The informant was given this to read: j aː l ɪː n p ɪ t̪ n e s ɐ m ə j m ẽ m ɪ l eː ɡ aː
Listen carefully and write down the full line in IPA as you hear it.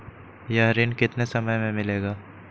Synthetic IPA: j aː ɾ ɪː n k ɪ t̪ n e s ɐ m ə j m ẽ m ɪ l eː ɡ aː